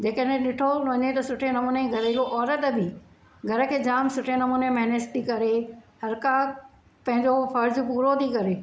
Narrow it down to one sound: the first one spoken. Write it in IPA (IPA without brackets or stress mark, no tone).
d͡ʑ